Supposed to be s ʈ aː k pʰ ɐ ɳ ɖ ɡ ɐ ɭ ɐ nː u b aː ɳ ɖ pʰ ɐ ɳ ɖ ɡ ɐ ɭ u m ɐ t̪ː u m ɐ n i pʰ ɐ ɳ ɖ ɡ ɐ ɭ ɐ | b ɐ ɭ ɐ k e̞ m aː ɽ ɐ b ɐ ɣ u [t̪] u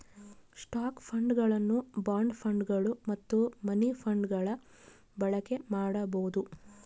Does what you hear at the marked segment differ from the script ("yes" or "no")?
yes